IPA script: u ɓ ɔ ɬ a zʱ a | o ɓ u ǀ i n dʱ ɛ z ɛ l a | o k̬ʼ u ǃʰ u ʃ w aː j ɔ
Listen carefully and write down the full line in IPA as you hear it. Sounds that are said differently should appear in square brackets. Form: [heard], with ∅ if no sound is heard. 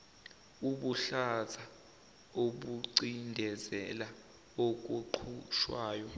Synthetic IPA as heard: u ɓ [u] ɬ a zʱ a | o ɓ u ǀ i n dʱ ɛ z ɛ l a | o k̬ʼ u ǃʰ u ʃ w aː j ɔ